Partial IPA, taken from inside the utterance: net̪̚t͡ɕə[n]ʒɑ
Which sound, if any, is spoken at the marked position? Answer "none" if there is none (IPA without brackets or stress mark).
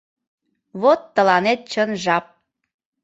n